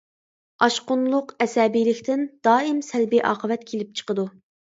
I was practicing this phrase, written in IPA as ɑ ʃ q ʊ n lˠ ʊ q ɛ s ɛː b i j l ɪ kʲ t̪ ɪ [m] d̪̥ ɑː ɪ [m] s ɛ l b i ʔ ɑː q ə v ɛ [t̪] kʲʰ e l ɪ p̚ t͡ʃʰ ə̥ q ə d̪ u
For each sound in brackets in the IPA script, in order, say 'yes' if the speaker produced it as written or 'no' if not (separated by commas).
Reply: no, yes, yes